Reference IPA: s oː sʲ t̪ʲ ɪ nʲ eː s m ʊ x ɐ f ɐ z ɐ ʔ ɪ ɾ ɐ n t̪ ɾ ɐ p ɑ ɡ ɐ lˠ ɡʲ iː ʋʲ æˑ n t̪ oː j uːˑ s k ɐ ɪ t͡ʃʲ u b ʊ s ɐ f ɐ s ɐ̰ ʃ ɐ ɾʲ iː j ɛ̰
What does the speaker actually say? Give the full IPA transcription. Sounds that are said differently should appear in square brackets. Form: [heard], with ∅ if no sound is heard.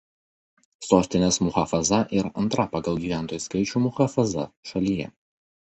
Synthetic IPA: s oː sʲ t̪ʲ ɪ nʲ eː s m ʊ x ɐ f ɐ z ɐ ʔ ɪ ɾ ɐ n t̪ ɾ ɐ p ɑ ɡ ɐ lˠ ɡʲ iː ʋʲ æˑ n t̪ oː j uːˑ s k ɐ ɪ t͡ʃʲ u [m] ʊ [x] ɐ f ɐ [z] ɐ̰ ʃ ɐ [lʲ] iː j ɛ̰

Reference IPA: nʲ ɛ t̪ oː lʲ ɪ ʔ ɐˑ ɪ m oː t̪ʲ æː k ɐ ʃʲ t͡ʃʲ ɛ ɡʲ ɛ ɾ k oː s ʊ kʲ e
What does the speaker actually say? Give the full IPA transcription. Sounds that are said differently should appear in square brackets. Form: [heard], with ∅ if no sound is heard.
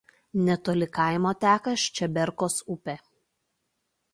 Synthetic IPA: nʲ ɛ t̪ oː lʲ ɪ [k] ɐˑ ɪ m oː t̪ʲ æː k ɐ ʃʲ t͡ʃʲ ɛ [bʲ] ɛ ɾ k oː s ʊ [pʲ] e

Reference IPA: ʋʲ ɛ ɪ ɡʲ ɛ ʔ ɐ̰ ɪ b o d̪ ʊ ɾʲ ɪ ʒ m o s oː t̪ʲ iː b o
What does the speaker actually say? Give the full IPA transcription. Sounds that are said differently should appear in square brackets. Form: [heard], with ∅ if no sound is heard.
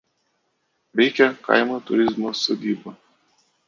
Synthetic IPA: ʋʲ ɛ ɪ [kʲ] ɛ [k] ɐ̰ ɪ [m] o [t̪] ʊ ɾʲ ɪ [z] m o s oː [d̪ʲ] iː b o

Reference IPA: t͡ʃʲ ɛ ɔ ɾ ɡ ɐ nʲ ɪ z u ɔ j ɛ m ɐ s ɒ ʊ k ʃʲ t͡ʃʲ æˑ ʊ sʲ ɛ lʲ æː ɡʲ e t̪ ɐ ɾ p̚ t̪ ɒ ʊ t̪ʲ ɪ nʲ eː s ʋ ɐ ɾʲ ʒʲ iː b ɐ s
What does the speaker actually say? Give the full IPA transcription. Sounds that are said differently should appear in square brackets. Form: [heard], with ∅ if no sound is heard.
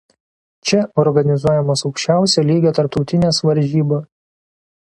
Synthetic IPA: t͡ʃʲ ɛ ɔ ɾ ɡ ɐ nʲ ɪ z u ɔ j ɛ m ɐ s ɒ ʊ k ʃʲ t͡ʃʲ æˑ ʊ sʲ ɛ lʲ [iː] ɡʲ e t̪ ɐ ɾ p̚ t̪ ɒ ʊ t̪ʲ ɪ nʲ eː s ʋ ɐ ɾʲ ʒʲ iː b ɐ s

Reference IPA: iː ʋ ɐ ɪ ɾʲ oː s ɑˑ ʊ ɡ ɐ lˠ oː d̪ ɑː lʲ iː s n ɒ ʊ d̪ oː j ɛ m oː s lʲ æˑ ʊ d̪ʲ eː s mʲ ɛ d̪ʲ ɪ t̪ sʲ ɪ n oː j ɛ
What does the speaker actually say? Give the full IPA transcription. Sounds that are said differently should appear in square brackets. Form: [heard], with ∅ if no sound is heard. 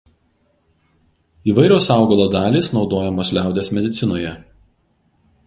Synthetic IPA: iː ʋ ɐ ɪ ɾʲ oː s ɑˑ ʊ ɡ ɐ lˠ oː d̪ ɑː lʲ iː s n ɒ ʊ d̪ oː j ɛ m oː s lʲ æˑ ʊ d̪ʲ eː s mʲ ɛ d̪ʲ ɪ t̪ sʲ ɪ n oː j ɛ

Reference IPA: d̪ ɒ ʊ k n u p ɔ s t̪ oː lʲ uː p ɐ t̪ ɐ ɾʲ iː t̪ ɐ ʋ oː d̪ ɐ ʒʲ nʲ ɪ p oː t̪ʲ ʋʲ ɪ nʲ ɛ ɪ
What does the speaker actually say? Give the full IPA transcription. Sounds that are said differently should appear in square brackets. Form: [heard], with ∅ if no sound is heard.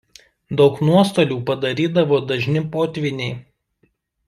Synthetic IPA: d̪ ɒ ʊ k n u [∅] ɔ s t̪ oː lʲ uː p ɐ [d̪] ɐ ɾʲ iː [d̪] ɐ ʋ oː d̪ ɐ ʒʲ nʲ ɪ p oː t̪ʲ ʋʲ ɪ nʲ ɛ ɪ

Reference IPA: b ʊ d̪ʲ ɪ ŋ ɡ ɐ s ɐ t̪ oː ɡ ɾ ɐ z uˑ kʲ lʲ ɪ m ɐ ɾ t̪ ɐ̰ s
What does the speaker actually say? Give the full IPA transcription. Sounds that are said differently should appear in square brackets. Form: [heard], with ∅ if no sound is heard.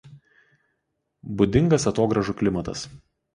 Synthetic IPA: b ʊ d̪ʲ ɪ ŋ ɡ ɐ s ɐ t̪ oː ɡ ɾ ɐ [ʒ] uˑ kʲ lʲ ɪ m ɐ [∅] t̪ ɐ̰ s

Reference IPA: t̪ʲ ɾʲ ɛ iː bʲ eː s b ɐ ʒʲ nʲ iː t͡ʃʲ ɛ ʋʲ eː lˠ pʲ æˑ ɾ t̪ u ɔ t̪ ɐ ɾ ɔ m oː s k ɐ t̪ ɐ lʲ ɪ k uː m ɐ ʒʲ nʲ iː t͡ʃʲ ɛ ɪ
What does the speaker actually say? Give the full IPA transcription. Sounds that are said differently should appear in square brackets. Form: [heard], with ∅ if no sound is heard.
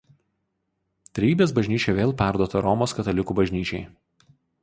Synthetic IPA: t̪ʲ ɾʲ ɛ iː bʲ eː s b ɐ ʒʲ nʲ iː t͡ʃʲ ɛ ʋʲ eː lˠ pʲ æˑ ɾ [d̪] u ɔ t̪ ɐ ɾ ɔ m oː s k ɐ t̪ ɐ lʲ ɪ k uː [b] ɐ ʒʲ nʲ iː t͡ʃʲ ɛ ɪ

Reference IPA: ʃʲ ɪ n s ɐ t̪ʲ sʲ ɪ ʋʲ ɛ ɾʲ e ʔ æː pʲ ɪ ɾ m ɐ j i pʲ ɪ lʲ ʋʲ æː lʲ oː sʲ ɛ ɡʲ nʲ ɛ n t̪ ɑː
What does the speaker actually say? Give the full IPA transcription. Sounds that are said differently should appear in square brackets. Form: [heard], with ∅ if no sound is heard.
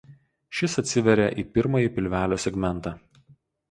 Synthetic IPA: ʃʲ ɪ [∅] s ɐ t̪ʲ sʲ ɪ ʋʲ ɛ ɾʲ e ʔ [iː] pʲ ɪ ɾ m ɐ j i pʲ ɪ lʲ ʋʲ æː lʲ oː sʲ ɛ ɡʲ [mʲ] ɛ n t̪ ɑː

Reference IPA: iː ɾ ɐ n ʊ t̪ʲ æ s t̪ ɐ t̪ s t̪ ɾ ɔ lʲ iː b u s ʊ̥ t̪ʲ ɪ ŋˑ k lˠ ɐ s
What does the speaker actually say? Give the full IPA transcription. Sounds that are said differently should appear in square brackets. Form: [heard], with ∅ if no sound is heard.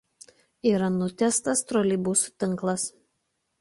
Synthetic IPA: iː ɾ ɐ n ʊ t̪ʲ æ s t̪ ɐ [∅] s t̪ ɾ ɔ lʲ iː b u s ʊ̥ t̪ʲ ɪ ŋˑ k lˠ ɐ s

